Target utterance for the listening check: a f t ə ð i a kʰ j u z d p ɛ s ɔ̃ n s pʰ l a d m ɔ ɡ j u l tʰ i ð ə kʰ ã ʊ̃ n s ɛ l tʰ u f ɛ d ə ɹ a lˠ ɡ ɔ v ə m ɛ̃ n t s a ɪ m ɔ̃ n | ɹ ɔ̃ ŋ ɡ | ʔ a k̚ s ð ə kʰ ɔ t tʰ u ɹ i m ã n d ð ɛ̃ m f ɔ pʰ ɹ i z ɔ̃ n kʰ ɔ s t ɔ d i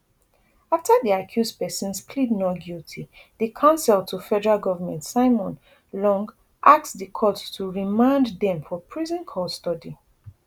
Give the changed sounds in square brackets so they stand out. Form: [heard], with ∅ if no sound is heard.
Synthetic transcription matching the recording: a f t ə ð i a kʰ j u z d p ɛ s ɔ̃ n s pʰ l [i] d [n] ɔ ɡ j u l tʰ i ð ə kʰ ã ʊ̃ n s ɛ l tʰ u f ɛ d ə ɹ a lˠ ɡ ɔ v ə m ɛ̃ n t s a ɪ m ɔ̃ n | [l] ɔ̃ ŋ ɡ | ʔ a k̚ s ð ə kʰ ɔ t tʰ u ɹ i m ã n d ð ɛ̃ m f ɔ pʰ ɹ i z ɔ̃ n kʰ ɔ s t ɔ d i